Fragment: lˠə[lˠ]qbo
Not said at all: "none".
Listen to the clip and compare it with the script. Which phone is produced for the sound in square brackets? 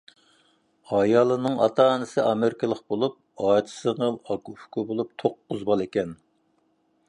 none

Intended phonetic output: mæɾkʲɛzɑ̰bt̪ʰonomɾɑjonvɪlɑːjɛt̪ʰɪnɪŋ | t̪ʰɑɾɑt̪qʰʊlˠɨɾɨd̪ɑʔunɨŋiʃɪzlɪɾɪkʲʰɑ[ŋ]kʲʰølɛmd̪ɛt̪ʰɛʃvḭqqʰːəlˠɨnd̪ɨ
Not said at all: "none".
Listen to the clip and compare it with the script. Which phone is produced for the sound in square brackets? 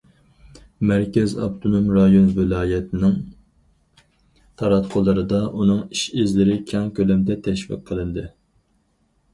ŋ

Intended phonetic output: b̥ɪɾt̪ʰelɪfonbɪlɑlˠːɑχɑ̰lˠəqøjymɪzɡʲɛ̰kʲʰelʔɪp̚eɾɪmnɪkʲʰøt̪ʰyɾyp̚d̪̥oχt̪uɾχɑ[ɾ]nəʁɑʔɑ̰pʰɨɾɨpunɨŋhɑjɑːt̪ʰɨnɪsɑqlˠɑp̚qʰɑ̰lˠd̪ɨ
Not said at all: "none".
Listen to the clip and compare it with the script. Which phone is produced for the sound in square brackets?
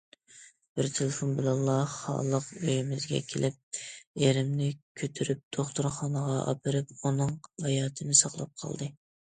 none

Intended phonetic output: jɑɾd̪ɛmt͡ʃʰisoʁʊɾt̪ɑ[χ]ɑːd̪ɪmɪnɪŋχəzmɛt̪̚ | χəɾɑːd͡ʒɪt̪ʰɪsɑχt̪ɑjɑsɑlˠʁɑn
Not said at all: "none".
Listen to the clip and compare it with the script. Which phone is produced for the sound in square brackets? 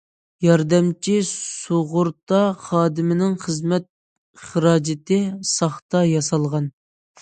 χ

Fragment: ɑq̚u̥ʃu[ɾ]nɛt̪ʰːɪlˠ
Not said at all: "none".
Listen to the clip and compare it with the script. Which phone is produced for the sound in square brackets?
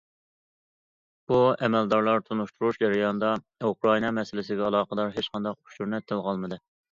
ɾ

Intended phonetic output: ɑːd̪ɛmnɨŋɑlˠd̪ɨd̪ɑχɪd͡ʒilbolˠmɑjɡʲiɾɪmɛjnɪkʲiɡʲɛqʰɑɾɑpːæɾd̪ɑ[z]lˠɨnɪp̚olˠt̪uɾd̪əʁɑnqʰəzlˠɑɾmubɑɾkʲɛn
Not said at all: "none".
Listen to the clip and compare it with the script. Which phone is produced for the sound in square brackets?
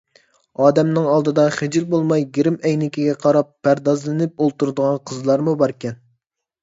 z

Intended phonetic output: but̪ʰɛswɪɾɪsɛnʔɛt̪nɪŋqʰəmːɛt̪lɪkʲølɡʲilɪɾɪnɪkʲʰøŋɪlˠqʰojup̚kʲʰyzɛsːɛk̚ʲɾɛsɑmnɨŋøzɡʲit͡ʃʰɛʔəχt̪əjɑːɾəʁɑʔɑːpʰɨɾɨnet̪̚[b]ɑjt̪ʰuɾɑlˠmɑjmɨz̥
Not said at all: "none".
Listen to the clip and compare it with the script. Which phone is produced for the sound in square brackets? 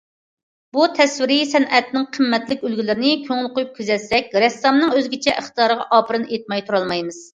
m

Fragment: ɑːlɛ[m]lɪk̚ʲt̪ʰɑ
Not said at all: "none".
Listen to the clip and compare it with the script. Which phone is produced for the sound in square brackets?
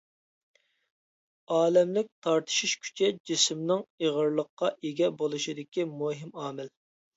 m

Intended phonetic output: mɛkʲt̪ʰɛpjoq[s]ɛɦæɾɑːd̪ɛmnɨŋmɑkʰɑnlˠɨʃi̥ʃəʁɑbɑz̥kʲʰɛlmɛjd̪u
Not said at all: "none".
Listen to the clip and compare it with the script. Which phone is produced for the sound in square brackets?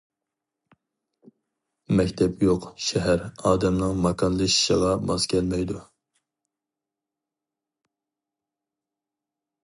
ʃ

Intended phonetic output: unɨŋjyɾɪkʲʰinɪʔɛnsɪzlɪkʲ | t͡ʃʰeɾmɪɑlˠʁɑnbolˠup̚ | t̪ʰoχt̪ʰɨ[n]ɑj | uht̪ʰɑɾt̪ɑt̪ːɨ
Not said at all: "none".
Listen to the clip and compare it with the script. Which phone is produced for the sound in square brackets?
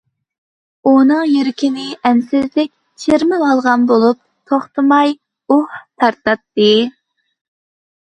m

